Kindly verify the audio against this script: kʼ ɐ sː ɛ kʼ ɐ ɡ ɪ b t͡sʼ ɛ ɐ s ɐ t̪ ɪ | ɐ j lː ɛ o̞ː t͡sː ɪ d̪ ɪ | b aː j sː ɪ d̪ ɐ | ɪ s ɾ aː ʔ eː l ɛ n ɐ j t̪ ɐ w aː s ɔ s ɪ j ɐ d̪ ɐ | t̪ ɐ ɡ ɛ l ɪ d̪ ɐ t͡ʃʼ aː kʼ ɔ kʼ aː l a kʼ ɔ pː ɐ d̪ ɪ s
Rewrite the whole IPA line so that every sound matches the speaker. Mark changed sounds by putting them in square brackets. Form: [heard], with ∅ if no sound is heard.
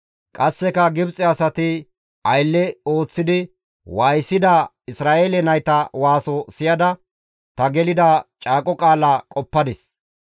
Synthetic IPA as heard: kʼ ɐ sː ɛ [k] ɐ ɡ ɪ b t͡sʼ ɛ ɐ s ɐ t̪ ɪ | ɐ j lː ɛ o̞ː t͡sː ɪ d̪ ɪ | [w] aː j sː ɪ d̪ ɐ | ɪ s ɾ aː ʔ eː l ɛ n ɐ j t̪ ɐ w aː s ɔ s ɪ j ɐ d̪ ɐ | t̪ ɐ ɡ ɛ l ɪ d̪ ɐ t͡ʃʼ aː kʼ ɔ kʼ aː l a kʼ ɔ pː ɐ d̪ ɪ s